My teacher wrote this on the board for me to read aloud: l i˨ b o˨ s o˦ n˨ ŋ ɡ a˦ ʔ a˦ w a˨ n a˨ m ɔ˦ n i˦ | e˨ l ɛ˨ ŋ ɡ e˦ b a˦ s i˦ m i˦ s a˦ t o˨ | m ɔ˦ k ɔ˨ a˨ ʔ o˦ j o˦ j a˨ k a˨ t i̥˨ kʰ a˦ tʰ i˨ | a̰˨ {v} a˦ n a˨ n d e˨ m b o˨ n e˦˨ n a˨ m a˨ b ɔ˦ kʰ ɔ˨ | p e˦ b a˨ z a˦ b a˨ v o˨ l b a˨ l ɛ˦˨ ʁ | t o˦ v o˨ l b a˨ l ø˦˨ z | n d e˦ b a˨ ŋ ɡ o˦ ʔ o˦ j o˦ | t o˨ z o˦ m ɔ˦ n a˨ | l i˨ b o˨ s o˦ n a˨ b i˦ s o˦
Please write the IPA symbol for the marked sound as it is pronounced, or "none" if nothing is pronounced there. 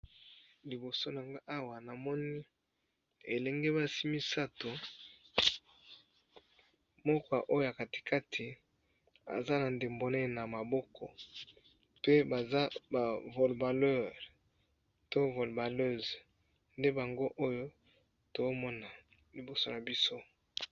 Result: z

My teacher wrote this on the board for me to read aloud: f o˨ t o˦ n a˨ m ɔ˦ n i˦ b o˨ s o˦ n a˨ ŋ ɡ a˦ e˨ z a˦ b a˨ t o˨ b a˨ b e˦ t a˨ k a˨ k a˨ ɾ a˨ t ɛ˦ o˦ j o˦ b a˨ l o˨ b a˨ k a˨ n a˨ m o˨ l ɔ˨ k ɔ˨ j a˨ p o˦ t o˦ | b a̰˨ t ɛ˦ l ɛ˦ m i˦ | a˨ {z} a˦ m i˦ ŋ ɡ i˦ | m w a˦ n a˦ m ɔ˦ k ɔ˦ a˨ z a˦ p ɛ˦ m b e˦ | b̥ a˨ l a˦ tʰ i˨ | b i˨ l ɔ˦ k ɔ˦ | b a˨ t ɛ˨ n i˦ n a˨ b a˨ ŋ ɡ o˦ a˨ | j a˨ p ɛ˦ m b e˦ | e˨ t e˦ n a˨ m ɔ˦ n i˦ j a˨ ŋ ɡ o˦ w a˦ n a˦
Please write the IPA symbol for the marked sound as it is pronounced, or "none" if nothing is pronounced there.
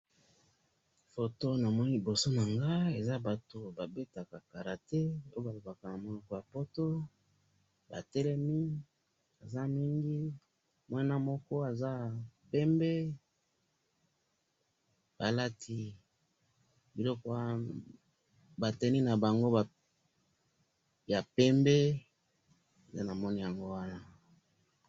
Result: z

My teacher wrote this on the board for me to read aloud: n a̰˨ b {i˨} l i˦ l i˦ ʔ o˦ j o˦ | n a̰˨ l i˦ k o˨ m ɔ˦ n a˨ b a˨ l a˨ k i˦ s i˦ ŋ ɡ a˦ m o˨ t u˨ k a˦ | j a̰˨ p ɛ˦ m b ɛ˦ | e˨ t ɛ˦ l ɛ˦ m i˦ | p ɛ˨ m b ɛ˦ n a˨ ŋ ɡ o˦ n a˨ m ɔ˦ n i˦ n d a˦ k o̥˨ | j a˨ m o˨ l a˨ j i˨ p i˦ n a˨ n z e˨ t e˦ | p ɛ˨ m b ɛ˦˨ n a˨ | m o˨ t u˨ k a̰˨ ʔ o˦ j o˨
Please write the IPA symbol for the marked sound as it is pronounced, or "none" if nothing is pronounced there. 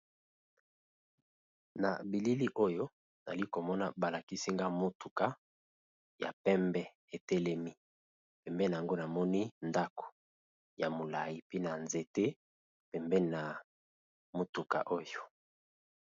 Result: i˨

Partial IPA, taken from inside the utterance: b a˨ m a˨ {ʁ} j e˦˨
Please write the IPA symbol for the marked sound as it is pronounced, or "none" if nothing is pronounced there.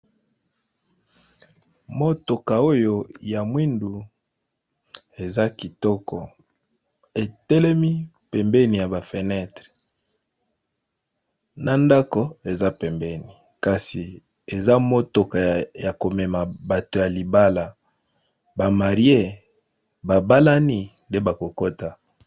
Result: ʁ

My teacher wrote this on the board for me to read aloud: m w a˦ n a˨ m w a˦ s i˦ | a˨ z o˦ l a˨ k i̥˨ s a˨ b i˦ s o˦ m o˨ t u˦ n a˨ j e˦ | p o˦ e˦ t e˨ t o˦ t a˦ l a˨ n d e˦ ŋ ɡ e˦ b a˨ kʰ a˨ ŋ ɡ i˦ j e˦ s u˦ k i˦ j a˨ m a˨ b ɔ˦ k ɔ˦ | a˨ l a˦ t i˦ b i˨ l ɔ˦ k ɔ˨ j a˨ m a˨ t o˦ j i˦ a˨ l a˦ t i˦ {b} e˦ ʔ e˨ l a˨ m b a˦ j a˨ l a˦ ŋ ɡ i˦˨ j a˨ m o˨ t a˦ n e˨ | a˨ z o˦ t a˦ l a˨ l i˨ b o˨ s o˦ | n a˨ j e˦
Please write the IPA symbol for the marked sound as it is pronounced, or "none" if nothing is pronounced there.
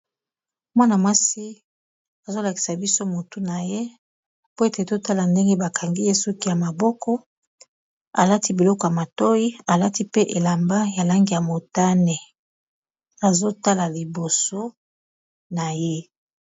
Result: p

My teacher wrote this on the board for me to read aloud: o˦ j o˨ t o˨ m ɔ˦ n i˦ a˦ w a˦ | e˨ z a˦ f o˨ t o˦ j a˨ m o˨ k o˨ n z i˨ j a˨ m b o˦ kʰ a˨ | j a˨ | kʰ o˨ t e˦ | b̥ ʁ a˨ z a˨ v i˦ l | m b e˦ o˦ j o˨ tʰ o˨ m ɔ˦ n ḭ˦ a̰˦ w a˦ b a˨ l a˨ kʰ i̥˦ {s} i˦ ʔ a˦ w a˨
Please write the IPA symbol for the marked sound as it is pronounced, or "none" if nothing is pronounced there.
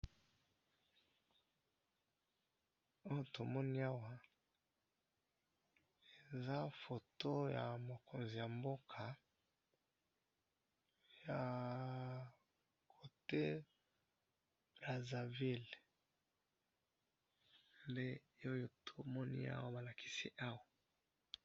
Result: s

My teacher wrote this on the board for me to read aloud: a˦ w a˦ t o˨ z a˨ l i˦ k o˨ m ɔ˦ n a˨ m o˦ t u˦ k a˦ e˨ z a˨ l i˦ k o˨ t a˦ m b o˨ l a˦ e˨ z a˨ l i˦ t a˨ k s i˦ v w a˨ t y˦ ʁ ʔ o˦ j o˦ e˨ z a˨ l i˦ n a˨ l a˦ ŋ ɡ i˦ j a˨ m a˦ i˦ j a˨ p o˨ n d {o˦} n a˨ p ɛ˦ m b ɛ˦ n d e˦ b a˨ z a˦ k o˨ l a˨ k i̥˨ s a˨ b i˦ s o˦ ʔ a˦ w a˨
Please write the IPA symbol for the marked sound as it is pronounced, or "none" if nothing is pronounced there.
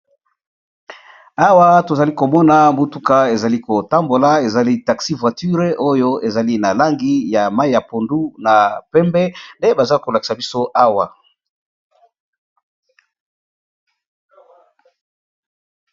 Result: u˦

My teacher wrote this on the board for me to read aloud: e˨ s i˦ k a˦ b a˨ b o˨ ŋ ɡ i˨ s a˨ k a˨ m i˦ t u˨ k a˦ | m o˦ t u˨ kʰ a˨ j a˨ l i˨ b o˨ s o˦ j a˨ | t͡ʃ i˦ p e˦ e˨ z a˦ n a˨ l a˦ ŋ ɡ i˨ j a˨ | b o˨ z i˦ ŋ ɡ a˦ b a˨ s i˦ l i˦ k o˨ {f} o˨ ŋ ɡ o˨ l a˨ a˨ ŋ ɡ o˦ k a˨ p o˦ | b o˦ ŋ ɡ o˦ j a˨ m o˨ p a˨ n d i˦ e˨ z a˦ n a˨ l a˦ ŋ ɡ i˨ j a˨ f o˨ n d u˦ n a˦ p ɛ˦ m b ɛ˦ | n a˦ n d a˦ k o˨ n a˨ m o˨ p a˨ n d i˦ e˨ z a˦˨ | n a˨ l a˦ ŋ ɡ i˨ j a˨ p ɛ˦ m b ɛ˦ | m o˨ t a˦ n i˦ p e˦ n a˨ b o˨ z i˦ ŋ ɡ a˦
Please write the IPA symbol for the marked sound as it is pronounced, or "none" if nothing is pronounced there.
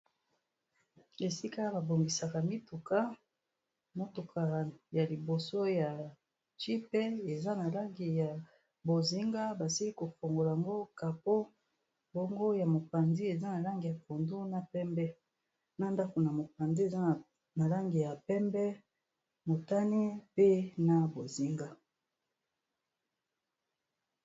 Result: f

